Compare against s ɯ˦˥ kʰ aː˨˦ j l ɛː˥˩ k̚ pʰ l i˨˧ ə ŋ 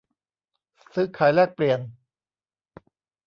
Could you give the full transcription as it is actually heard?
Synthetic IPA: s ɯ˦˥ kʰ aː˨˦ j l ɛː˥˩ k̚ p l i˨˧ ə n